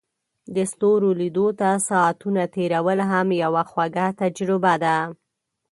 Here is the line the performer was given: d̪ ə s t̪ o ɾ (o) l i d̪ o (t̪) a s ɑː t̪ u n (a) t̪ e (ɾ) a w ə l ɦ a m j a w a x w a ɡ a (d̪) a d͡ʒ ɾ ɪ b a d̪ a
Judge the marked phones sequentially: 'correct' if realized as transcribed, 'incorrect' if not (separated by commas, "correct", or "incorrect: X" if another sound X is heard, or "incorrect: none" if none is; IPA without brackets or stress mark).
correct, correct, correct, correct, incorrect: t̪